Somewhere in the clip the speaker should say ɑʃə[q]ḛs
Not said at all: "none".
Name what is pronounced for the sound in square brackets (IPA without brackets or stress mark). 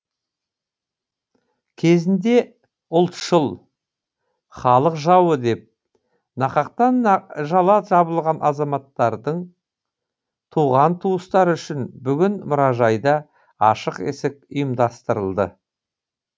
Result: q